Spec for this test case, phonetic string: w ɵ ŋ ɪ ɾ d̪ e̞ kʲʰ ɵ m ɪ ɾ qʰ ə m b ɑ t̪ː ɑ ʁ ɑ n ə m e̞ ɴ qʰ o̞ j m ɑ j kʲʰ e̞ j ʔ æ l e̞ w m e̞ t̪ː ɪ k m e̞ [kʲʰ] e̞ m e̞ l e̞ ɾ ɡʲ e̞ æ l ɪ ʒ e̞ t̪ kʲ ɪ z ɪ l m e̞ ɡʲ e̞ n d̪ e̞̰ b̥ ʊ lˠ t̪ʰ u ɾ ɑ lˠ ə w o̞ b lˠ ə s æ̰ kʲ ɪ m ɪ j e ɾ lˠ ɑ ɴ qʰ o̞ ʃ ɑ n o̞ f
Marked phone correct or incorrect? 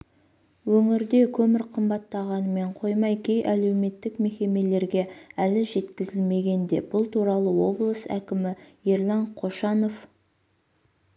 incorrect: kʲ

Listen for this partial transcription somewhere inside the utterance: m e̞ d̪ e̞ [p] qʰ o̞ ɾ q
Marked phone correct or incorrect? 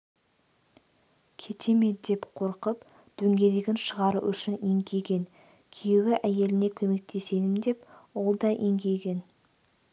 correct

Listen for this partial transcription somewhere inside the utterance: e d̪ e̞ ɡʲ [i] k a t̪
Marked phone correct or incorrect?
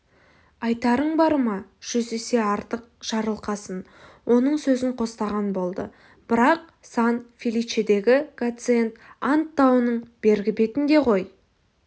incorrect: ɪ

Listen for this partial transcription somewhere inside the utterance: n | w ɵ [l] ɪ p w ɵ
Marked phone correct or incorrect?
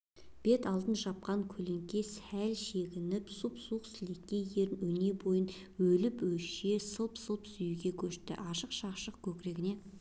correct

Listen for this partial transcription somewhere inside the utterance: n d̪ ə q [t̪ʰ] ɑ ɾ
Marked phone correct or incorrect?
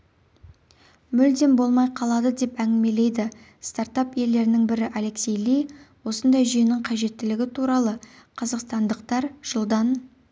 incorrect: t̪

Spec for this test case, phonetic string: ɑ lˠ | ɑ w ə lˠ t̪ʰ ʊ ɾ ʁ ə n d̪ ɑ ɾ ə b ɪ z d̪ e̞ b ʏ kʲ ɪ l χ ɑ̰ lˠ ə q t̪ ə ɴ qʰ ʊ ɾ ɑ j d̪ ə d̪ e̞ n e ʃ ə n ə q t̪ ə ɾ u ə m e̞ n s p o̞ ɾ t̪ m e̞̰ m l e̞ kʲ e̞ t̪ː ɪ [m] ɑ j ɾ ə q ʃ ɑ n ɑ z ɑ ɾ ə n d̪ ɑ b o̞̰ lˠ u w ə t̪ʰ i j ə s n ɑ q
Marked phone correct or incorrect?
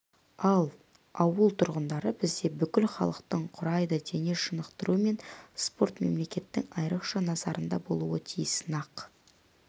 incorrect: ŋ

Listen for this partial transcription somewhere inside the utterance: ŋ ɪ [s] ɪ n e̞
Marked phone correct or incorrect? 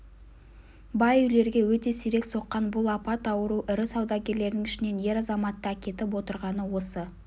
incorrect: ʃ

